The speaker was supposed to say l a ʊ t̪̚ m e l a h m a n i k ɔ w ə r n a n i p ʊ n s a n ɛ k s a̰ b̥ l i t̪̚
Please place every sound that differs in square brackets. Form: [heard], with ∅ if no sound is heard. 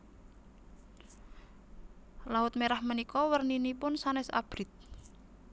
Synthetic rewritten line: l a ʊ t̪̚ m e [ɾ] a h m [ə] n i k ɔ w ə r n [i] n i p ʊ n s a n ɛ [∅] s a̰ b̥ [ɾ] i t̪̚